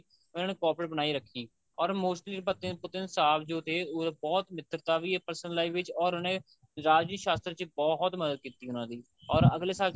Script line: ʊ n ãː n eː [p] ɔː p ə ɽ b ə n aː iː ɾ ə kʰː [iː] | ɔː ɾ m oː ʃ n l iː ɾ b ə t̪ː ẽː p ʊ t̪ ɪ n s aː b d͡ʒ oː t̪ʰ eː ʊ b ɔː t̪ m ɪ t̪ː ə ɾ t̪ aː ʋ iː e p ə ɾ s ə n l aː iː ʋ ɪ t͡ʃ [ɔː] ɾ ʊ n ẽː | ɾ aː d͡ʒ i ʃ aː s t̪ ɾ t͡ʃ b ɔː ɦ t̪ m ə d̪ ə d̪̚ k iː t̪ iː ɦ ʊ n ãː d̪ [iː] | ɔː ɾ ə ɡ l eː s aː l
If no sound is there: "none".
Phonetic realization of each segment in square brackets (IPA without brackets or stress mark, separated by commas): k, iː, ɔː, iː